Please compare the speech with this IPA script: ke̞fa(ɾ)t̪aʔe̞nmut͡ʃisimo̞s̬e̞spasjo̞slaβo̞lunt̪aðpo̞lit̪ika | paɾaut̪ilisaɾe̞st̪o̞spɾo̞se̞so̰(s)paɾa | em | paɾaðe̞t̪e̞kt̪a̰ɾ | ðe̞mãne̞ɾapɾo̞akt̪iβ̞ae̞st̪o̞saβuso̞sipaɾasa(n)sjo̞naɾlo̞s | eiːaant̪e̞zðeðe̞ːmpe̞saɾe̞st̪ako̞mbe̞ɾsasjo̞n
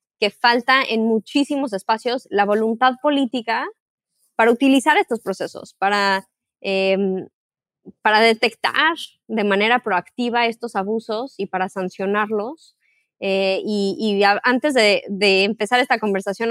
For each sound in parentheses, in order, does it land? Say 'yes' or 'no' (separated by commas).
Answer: no, yes, yes